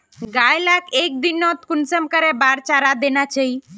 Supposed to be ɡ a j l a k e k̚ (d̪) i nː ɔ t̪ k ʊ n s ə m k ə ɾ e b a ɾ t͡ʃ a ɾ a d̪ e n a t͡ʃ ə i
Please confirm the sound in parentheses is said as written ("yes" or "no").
yes